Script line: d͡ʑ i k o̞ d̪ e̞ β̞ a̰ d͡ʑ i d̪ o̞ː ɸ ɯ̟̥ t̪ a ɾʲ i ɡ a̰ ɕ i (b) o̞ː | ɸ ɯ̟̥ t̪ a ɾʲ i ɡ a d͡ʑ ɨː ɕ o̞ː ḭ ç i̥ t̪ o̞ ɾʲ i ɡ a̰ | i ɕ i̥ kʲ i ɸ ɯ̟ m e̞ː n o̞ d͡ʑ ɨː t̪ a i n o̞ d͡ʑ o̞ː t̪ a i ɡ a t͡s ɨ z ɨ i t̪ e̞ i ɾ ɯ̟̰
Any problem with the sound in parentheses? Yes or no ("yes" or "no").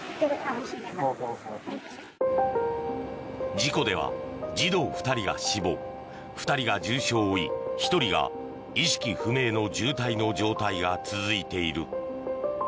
no